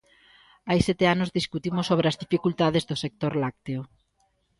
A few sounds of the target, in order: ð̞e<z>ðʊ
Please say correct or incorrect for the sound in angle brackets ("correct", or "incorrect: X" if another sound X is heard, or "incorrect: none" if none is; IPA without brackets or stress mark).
correct